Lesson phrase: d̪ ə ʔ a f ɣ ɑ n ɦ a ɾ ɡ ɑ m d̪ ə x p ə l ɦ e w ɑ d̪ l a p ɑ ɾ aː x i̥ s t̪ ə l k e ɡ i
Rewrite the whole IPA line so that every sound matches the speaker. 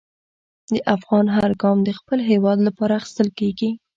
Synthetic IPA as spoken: d̪ ə ʔ a f ɣ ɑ n ɦ a ɾ ɡ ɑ m d̪ ə x p ə l ɦ e w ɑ d̪ l a p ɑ ɾ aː x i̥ s t̪ ə l k e ɡ i